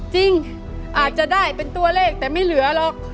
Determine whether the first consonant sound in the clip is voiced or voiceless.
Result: voiceless